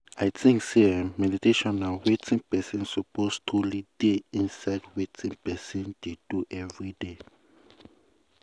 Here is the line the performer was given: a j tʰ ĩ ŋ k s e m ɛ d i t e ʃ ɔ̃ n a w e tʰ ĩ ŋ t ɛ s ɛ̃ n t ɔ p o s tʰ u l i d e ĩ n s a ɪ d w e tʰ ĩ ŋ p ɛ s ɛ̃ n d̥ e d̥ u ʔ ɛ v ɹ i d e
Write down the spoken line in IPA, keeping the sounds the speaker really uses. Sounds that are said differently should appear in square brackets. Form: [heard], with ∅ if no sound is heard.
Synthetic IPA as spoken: a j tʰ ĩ ŋ k s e m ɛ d i t e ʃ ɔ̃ n a w e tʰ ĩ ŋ [p] ɛ s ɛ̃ n [s] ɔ p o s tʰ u l i d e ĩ n s a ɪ d w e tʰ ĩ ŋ p ɛ s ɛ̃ n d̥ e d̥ u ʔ ɛ v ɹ i d e